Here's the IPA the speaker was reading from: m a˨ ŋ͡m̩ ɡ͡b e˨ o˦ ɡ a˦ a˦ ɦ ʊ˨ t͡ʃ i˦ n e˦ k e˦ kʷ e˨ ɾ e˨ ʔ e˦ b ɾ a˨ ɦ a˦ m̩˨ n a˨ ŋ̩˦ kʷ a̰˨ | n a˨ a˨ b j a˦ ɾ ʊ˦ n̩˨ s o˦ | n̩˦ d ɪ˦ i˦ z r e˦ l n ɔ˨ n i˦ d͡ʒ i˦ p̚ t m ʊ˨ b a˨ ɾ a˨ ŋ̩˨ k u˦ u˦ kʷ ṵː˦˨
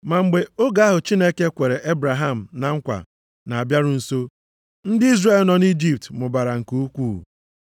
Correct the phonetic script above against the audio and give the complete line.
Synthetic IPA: m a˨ ŋ͡m̩ ɡ͡b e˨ o˦ ɡ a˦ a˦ ɦ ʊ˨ t͡ʃ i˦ n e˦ k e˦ kʷ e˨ ɾ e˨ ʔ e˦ b ɾ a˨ ɦ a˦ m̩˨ n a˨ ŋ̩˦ kʷ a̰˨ | n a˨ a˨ b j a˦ ɾ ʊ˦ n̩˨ s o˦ | n̩˦ d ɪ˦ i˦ z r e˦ l n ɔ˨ n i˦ d͡ʒ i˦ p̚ t m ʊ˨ b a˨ ɾ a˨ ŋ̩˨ k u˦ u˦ kʷ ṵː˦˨

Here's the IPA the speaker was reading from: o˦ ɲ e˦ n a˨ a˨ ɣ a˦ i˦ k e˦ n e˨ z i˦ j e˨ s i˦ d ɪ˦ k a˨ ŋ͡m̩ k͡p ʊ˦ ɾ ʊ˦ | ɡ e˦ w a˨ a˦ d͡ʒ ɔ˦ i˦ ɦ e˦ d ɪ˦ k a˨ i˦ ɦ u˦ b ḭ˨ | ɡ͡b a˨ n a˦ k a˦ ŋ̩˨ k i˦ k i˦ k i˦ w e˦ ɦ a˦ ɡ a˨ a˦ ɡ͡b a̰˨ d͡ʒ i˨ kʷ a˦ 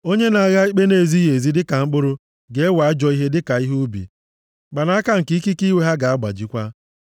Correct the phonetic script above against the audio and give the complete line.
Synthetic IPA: o˦ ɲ e˦ n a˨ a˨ ɣ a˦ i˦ k͡p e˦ n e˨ z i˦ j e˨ z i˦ d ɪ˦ k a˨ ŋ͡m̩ k͡p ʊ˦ ɾ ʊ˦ | ɡ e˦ w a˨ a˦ d͡ʒ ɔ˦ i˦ ɦ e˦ d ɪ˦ k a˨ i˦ ɦ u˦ b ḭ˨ | ɡ͡b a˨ n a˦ k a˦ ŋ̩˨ k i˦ k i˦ k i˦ w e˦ ɦ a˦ ɡ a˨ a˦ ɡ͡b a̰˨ d͡ʒ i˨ kʷ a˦

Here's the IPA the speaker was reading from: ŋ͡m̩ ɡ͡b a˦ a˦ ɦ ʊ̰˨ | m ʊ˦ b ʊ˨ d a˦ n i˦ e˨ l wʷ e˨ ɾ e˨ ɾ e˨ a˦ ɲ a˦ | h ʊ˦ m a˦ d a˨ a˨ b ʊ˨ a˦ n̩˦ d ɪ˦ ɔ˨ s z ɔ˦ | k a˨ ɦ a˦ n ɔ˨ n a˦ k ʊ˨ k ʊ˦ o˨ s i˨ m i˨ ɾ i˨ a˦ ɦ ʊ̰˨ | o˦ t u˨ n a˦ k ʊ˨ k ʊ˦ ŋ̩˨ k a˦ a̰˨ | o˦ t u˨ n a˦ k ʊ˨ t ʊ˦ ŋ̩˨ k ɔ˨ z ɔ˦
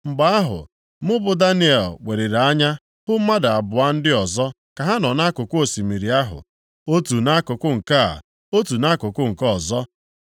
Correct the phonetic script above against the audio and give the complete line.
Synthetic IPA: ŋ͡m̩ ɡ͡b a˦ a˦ ɦ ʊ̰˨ | m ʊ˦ b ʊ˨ d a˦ n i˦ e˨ l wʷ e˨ ɾ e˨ ɾ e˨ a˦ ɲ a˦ | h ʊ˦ m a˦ d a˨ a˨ b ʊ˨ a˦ n̩˦ d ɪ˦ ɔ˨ z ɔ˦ | k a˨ ɦ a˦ n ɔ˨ n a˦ k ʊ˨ k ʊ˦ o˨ s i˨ m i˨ ɾ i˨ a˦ ɦ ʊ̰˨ | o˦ t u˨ n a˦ k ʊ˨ k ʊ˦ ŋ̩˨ k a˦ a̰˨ | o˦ t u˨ n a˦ k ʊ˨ k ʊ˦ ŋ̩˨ k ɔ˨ z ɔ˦

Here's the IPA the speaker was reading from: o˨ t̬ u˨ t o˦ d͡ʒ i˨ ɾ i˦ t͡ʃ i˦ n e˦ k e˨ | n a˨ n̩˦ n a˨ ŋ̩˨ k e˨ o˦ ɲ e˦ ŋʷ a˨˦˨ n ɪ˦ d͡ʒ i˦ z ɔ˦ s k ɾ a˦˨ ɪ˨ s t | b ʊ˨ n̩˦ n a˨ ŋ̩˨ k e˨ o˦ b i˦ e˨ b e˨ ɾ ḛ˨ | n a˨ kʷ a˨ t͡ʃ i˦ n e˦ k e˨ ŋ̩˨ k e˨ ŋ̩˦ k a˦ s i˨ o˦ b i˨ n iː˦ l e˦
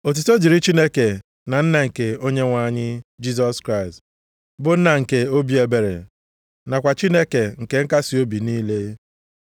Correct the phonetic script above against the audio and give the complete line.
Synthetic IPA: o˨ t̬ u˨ t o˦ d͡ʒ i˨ ɾ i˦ t͡ʃ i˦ n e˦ k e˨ | n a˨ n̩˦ n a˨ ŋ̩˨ k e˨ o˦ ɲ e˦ ŋʷ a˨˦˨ ɲ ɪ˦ d͡ʒ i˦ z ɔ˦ s k ɾ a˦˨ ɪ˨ s t | b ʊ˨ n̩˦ n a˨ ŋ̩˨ k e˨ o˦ b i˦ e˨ b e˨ ɾ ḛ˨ | n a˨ kʷ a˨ t͡ʃ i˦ n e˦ k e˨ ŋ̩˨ k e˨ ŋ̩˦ k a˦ s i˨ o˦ b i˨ n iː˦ l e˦

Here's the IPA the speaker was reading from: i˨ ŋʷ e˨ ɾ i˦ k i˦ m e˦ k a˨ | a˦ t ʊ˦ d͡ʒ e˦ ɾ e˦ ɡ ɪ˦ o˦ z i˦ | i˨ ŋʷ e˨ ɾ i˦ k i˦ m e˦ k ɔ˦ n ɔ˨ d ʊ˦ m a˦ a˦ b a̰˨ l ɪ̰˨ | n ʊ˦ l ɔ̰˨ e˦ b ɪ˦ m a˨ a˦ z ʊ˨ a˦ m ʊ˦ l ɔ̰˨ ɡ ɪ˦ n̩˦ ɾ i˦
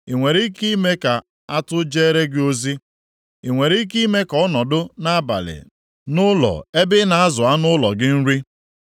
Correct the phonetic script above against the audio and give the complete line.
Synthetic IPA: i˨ ŋʷ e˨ ɾ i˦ k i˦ m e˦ k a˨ | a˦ t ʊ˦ d͡ʒ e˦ ɾ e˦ ɡ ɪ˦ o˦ z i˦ | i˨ ŋʷ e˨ ɾ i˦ k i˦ m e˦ k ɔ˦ n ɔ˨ d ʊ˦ n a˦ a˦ b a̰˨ l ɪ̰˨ | n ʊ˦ l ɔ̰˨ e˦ b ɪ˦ n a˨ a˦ z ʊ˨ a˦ n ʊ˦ l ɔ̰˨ ɡ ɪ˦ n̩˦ ɾ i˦

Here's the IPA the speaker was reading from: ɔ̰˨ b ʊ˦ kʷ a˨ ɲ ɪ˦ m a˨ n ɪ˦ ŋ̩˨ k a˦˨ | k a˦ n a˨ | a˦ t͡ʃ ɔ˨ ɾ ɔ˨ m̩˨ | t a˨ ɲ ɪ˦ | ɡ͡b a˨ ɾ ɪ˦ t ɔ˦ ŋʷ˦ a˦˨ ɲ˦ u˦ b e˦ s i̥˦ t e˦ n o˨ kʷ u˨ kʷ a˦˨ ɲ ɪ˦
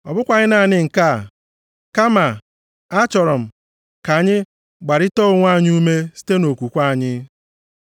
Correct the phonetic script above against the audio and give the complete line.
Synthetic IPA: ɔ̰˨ b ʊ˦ kʷ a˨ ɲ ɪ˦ n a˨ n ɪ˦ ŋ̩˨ k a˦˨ | k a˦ m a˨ | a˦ t͡ʃ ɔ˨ ɾ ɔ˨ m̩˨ | k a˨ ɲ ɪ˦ | ɡ͡b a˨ ɾ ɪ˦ t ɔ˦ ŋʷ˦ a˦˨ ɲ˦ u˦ m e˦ s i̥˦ t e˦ n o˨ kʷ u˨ kʷ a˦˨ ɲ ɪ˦

